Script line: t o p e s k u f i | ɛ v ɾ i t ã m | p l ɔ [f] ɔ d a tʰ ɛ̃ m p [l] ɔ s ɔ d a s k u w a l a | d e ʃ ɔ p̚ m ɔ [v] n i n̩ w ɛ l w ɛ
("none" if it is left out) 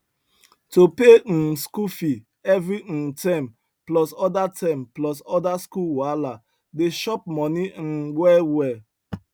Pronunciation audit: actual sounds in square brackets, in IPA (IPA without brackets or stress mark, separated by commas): s, l, none